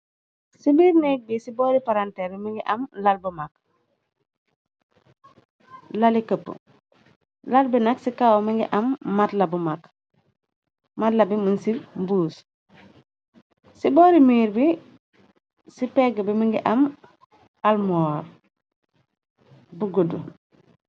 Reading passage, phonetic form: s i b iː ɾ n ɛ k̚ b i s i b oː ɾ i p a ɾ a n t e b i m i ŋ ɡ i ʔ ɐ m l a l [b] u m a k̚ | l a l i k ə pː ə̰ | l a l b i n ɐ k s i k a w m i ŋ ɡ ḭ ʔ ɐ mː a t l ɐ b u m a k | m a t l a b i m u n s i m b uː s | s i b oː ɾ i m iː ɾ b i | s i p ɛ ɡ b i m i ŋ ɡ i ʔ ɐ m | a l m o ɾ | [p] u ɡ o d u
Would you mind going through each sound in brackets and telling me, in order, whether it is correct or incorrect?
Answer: correct, incorrect: b

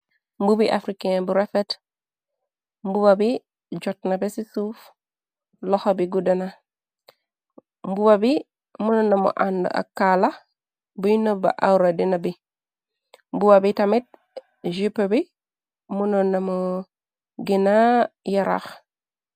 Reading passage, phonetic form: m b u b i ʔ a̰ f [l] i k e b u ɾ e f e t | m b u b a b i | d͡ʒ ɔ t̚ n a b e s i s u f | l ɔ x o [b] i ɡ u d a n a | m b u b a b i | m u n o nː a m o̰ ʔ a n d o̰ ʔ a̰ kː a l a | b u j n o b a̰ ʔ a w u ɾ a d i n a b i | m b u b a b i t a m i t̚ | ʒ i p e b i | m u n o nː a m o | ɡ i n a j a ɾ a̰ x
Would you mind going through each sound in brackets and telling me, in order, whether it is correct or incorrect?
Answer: incorrect: ɾ, correct

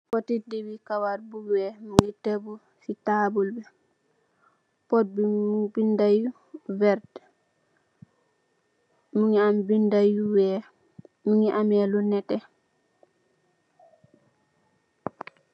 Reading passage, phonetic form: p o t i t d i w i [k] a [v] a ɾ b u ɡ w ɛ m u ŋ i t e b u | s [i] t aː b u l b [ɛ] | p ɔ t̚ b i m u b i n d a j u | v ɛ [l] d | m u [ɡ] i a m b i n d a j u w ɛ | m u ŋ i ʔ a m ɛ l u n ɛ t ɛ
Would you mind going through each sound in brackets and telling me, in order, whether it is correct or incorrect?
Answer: correct, incorrect: w, correct, correct, incorrect: ɾ, incorrect: ŋ

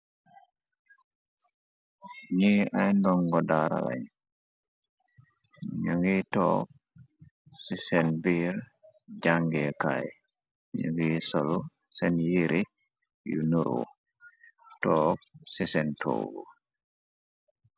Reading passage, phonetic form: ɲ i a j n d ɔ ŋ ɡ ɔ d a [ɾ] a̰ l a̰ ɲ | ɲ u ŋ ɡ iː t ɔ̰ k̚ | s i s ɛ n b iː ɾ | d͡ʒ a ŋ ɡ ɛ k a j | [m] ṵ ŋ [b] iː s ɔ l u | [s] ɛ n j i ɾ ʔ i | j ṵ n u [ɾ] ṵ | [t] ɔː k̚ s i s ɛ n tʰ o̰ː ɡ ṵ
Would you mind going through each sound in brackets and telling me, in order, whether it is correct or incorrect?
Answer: correct, incorrect: ɲ, incorrect: ɡ, correct, correct, correct

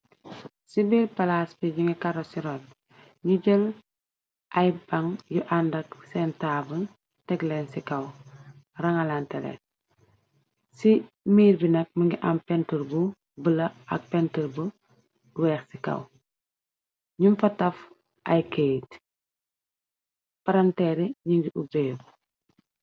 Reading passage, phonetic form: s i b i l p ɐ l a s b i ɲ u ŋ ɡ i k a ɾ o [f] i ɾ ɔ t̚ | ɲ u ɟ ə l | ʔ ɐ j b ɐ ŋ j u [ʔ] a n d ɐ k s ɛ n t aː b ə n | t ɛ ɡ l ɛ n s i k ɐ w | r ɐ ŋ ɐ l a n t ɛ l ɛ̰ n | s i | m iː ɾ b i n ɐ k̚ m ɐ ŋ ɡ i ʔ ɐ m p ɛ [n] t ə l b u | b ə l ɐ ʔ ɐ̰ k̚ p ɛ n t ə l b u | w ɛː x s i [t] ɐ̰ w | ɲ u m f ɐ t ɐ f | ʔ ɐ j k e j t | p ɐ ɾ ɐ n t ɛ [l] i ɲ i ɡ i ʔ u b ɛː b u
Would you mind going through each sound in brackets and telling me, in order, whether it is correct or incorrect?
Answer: incorrect: s, correct, correct, incorrect: k, incorrect: ɾ

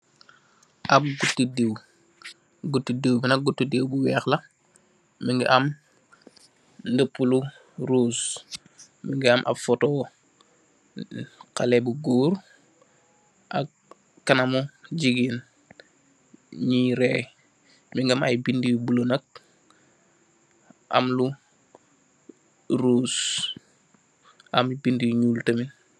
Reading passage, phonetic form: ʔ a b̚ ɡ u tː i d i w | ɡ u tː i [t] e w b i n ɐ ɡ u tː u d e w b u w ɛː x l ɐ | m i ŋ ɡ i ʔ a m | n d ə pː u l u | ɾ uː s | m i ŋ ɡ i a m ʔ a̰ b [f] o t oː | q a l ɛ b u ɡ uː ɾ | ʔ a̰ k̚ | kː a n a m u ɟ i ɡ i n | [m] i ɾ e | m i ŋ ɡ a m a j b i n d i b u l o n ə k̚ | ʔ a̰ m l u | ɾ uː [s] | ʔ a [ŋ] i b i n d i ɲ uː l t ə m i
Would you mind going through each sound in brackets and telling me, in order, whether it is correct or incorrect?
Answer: incorrect: d, correct, incorrect: ɲ, correct, incorrect: m

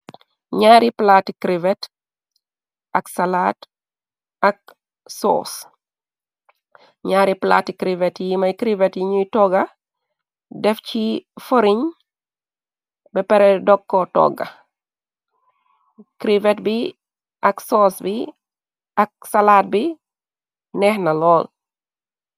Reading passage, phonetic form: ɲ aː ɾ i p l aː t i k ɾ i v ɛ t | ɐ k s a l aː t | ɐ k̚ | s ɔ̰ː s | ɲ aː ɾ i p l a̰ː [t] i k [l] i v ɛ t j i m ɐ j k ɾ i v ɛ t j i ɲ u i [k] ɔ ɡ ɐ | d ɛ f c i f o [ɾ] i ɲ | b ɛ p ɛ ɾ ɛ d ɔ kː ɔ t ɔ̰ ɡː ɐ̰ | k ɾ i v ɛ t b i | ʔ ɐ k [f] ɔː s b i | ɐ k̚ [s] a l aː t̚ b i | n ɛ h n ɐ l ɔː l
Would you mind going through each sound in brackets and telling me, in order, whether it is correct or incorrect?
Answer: correct, incorrect: ɾ, incorrect: t, correct, incorrect: s, correct

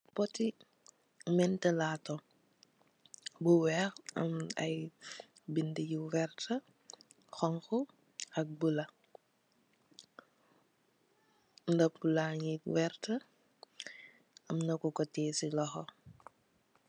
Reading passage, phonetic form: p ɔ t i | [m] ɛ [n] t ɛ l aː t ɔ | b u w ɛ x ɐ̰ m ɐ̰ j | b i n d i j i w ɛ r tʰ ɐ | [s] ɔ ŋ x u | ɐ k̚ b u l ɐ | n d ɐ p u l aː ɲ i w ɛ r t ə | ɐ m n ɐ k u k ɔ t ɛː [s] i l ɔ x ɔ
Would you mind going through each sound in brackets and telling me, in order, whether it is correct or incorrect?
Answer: correct, correct, incorrect: x, correct

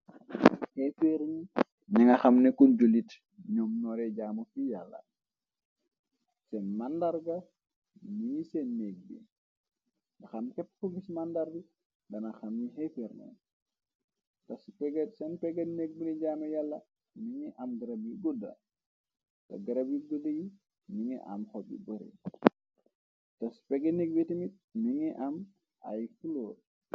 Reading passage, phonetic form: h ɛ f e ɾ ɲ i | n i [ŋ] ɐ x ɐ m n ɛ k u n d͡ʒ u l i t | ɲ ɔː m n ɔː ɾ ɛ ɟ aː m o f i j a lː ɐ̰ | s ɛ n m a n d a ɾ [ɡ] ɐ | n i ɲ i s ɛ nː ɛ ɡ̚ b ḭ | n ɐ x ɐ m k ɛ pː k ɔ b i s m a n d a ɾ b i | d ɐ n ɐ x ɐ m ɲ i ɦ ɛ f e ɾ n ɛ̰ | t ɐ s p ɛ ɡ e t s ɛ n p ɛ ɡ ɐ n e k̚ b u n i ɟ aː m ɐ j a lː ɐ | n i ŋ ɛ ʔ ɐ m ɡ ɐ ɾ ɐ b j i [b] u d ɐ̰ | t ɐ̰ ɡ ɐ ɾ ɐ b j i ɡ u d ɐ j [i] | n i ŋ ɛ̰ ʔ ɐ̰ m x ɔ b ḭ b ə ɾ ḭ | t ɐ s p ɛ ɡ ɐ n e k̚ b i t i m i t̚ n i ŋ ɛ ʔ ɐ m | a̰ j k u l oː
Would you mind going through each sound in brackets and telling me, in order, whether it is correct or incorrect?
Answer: correct, correct, incorrect: ɡ, correct

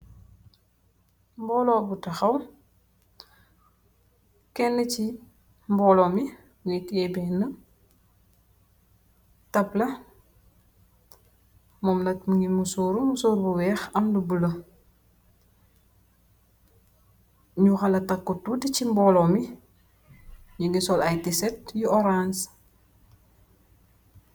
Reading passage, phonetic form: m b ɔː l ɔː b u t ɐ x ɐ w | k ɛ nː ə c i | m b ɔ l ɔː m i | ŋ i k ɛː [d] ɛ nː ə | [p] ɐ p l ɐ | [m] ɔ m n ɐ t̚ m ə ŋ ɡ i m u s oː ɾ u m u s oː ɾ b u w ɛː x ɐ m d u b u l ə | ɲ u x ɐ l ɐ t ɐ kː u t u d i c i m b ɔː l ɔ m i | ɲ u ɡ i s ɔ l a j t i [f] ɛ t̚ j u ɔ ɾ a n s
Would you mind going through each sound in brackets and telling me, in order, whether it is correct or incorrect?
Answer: incorrect: b, incorrect: t, correct, incorrect: s

